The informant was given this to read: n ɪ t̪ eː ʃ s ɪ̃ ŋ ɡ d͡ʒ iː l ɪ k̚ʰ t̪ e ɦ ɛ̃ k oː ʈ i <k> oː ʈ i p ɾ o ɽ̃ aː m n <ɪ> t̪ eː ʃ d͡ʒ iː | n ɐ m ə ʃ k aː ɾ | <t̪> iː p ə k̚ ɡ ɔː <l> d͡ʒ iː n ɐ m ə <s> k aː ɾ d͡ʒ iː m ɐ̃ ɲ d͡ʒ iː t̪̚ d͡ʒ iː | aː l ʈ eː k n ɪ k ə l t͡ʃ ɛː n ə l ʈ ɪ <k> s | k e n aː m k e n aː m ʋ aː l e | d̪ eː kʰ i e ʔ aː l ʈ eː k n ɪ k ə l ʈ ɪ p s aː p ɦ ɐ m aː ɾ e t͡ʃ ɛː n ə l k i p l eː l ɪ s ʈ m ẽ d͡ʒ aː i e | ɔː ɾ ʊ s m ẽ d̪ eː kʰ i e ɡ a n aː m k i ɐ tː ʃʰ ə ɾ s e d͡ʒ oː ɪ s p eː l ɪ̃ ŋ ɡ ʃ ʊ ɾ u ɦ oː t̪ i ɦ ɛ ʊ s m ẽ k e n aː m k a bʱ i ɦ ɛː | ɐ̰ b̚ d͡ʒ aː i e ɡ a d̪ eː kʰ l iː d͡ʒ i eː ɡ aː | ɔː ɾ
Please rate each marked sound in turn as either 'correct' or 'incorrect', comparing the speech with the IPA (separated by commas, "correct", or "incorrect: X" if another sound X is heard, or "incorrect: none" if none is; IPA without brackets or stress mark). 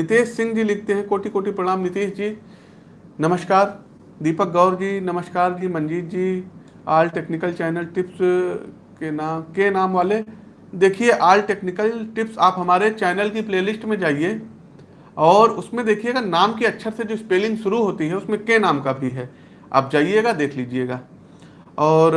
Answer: correct, correct, incorrect: d̪, incorrect: ɾ, incorrect: ʃ, incorrect: p